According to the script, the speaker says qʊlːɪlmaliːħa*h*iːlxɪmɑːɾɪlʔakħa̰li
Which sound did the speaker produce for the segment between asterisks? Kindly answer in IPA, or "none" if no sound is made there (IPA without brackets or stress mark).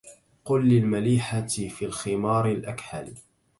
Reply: f